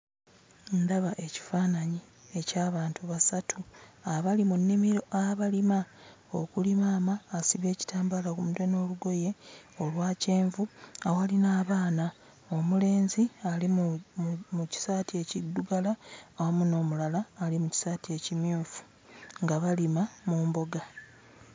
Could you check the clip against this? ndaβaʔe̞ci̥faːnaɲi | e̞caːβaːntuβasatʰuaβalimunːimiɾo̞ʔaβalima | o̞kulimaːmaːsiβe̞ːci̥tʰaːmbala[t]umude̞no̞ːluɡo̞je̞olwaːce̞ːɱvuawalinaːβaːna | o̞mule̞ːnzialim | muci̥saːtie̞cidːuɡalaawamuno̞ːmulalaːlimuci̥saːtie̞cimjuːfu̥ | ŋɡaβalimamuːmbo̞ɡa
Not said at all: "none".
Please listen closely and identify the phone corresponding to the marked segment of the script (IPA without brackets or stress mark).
k